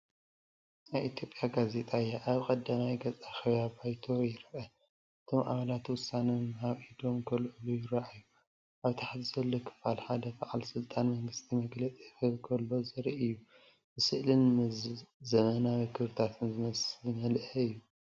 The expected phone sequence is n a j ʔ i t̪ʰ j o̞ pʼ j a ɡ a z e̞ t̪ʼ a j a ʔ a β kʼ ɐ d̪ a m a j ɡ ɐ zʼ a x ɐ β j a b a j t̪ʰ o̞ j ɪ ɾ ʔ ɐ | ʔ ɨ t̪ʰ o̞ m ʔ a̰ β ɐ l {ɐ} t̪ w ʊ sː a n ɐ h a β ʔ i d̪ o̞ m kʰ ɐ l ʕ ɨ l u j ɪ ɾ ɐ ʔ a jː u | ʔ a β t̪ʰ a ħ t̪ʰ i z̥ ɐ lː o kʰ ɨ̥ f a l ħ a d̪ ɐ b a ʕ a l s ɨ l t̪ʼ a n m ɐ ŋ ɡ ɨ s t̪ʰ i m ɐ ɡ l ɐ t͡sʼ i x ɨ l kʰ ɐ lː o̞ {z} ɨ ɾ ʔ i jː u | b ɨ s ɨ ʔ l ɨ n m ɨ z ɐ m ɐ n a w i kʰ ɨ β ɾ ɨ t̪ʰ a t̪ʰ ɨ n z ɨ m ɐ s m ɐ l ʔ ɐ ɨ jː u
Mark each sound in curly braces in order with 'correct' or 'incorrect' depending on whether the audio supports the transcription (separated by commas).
incorrect, correct